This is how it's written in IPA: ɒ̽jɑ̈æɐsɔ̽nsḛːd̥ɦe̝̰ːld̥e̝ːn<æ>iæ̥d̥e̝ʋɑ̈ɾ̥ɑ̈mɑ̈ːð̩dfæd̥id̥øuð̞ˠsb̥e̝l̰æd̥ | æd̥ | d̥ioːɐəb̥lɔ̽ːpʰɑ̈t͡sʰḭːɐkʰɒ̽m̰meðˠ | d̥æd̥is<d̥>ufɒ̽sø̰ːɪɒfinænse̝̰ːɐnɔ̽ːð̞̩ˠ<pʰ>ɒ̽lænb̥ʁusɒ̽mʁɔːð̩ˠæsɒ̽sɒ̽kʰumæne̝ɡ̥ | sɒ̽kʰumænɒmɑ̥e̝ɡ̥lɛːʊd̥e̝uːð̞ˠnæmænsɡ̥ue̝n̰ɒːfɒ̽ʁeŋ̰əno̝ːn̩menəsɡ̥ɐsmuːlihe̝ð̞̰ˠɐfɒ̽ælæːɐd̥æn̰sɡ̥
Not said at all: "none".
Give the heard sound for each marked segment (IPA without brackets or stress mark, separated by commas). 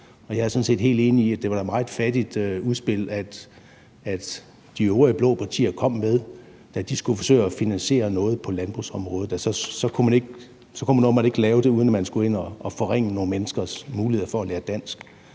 i, ɡ̥, pʰ